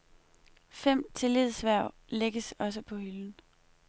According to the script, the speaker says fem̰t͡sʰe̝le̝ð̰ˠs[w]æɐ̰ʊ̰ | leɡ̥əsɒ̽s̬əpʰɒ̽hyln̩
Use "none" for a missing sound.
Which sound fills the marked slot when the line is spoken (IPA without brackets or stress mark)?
ʋ